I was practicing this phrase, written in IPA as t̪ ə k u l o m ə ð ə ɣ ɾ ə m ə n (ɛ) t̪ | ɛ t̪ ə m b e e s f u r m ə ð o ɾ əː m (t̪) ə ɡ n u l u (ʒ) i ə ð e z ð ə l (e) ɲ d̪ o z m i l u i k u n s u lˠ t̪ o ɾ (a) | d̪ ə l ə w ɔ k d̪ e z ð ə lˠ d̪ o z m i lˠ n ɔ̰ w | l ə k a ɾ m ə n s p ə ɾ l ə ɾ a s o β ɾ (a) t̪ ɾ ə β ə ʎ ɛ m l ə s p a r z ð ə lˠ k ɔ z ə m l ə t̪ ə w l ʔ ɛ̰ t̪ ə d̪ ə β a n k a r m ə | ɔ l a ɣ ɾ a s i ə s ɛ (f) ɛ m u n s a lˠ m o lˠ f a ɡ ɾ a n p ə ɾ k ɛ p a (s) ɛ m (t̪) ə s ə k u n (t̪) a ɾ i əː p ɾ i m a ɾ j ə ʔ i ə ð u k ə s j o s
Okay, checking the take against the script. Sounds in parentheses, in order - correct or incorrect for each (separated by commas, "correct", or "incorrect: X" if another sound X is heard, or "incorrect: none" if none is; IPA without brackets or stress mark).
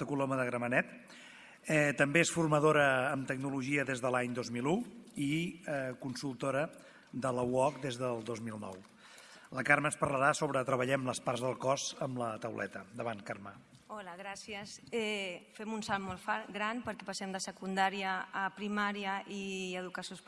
correct, correct, correct, incorrect: a, incorrect: ə, incorrect: ə, correct, correct, incorrect: d̪, incorrect: d̪